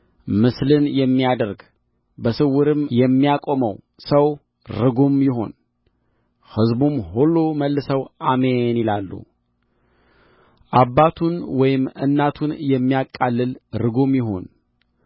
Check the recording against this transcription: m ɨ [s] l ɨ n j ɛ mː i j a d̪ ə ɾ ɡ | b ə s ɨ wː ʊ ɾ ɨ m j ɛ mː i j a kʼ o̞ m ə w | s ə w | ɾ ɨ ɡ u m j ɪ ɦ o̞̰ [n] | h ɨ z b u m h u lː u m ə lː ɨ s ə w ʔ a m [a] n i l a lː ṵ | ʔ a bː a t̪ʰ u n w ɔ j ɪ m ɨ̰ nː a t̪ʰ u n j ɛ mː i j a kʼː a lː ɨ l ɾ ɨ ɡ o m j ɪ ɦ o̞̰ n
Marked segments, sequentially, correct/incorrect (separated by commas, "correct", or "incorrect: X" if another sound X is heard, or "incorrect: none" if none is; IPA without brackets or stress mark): correct, correct, incorrect: e